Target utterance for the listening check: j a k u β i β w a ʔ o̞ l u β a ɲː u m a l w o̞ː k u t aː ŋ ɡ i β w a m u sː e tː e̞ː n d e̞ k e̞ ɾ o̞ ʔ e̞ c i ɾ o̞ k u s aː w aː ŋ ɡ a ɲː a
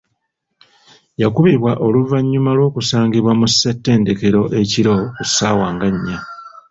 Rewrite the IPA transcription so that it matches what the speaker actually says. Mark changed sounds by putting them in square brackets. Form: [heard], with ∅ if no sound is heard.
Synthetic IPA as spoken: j a k u β i β w a ʔ o̞ l u [v] a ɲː u m a l w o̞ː k u [s] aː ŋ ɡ i β w a m u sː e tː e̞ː n d e̞ k e̞ ɾ o̞ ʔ e̞ c i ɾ o̞ k u s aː w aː ŋ ɡ a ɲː a

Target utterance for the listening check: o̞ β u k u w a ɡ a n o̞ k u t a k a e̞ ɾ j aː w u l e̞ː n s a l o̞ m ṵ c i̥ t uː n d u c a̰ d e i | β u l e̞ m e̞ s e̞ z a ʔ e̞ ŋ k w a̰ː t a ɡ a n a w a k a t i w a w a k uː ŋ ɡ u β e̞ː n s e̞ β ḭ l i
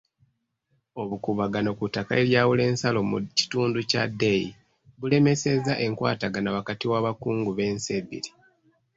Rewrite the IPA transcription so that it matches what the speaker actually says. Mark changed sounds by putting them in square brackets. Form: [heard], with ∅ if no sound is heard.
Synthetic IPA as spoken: o̞ β u k u [β] a ɡ a n o̞ k u t a k a e̞ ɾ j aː w u l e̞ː n s a l o̞ m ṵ c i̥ t uː n d u c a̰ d e i | β u l e̞ m e̞ s e̞ z a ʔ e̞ ŋ k w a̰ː t a ɡ a n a w a k a t i w a [β] a k uː ŋ ɡ u β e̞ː n s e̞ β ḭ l i

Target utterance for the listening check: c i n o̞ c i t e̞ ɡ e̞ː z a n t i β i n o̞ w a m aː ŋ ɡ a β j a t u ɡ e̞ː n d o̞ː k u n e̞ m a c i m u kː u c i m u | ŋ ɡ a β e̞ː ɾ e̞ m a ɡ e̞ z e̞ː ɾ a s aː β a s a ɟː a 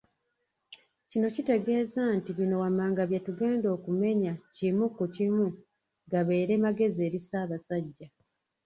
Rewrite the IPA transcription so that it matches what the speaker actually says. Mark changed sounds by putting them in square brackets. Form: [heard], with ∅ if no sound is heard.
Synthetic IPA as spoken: c i n o̞ c i t e̞ ɡ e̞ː z a n t i β i n o̞ w a m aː ŋ ɡ a β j a t u ɡ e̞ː n d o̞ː k u [m] e̞ [ɲ] a c i m u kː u c i m u | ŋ ɡ a β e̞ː ɾ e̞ m a ɡ e̞ z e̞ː ɾ [i] s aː β a s a ɟː a

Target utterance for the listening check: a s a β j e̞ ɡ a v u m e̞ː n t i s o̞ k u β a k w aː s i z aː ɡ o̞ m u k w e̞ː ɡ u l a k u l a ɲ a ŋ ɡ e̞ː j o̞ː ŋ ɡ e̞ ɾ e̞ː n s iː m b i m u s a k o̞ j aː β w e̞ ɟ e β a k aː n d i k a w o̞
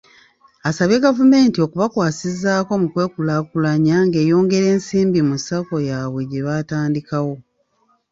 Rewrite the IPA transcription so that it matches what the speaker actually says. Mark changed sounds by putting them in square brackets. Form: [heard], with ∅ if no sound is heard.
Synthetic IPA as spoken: a s a β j e̞ ɡ a v u m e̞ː n t i [∅] o̞ k u β a k w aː s i z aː [k] o̞ m u k w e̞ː [k] u l a k u l a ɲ a ŋ ɡ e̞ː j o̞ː ŋ ɡ e̞ ɾ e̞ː n s iː m b i m u s a k o̞ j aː β w e̞ ɟ e β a [t] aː n d i k a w o̞

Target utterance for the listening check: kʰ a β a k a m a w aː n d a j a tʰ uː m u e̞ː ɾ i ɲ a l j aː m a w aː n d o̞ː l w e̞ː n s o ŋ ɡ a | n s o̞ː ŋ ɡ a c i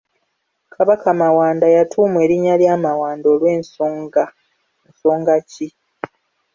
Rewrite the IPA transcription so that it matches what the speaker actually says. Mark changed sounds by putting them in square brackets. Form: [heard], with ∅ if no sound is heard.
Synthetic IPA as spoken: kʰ a β a k a m a w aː n d a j a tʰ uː m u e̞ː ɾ i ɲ a l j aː m a w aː n d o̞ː l w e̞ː n s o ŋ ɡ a | n s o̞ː ŋ ɡ a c i

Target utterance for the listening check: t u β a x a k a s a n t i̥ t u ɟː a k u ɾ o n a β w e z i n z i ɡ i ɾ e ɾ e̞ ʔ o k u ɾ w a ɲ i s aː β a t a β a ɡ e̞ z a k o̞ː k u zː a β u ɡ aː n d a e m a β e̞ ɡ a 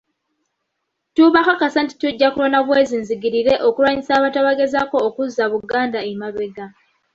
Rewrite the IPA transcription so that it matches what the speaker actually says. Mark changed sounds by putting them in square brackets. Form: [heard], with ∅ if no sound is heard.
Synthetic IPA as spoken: t u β a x a k a s a n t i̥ t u ɟː a k u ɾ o n a β w e z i n z i ɡ i ɾ [i] ɾ e̞ ʔ o k u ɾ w a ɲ i s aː β a t a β a ɡ e̞ z a k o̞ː k u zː a β u ɡ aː n d a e m a β e̞ ɡ a

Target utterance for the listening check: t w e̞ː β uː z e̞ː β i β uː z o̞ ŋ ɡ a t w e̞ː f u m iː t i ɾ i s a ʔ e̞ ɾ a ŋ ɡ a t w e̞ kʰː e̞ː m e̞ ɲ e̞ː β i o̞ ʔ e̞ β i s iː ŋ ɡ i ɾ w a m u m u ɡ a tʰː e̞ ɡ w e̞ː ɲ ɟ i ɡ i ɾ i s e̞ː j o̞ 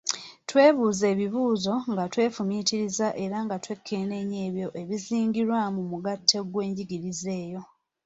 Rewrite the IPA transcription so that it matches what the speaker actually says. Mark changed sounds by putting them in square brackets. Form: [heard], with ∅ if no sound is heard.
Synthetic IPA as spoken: t w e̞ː β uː z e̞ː β i β uː z o̞ ŋ ɡ a t w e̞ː f u m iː t i ɾ i [z] a ʔ e̞ ɾ a ŋ ɡ a t w e̞ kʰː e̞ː [n] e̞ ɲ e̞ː β [j] o̞ ʔ e̞ β i [z] iː ŋ ɡ i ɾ w a m u m u ɡ a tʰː e̞ ɡ w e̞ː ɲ ɟ i ɡ i ɾ i [z] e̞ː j o̞

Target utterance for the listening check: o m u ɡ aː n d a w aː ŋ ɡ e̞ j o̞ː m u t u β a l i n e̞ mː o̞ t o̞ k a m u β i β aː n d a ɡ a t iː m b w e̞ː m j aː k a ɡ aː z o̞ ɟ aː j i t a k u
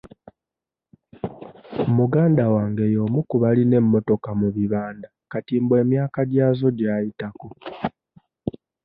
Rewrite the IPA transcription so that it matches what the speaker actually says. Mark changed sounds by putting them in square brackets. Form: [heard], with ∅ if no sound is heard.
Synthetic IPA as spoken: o m u ɡ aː n d a w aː ŋ ɡ e̞ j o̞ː m u [k] u β a l i n e̞ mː o̞ t o̞ k a m u β i β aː n d a [k] a t iː m b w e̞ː m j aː k a [ɟ] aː z o̞ ɟ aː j i t a k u

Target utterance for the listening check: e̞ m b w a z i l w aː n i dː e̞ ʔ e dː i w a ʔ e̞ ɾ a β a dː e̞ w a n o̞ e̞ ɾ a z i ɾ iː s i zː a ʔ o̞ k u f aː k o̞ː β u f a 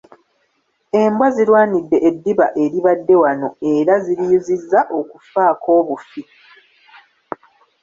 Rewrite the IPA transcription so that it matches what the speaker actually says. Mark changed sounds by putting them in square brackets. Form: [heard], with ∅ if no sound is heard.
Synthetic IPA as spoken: e̞ m b w a z i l w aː n i dː e̞ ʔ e dː i [β] a ʔ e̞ ɾ [i] β a dː e̞ w a n o̞ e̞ ɾ a z i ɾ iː [z] i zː a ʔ o̞ k u f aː k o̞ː β u f [i]

